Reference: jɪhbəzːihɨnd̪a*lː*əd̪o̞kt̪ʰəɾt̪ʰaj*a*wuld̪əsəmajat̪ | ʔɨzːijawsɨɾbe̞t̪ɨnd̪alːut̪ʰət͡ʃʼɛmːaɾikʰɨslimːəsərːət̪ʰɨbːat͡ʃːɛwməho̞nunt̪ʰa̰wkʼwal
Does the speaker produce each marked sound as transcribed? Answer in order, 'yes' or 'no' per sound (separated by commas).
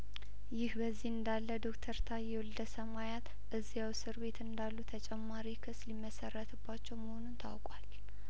yes, no